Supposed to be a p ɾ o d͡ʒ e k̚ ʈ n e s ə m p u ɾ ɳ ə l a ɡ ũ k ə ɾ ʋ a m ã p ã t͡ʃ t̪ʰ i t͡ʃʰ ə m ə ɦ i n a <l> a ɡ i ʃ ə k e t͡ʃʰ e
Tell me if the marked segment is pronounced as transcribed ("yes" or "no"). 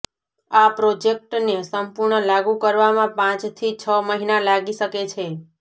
yes